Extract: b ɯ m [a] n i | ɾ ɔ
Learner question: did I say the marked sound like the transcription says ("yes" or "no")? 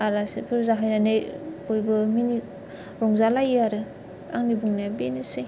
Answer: no